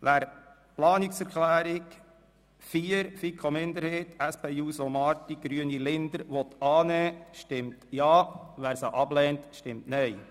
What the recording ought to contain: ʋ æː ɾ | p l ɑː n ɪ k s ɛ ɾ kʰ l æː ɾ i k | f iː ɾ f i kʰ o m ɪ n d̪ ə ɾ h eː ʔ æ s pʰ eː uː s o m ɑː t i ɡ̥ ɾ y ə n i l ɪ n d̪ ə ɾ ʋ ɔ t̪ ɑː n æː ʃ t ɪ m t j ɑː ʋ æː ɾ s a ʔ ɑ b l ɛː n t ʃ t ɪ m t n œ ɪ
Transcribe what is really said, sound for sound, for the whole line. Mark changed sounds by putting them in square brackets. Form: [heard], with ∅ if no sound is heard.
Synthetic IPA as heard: ʋ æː ɾ | p l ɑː n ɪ k s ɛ ɾ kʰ l æː ɾ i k | f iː ɾ f i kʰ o m ɪ n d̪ ə ɾ h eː [t] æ s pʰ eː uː s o m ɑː t i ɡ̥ ɾ y ə n i l ɪ n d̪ ə ɾ ʋ ɔ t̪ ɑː n [ɛː] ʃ t ɪ m t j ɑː ʋ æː ɾ s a ʔ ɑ b l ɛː n t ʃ t ɪ m t n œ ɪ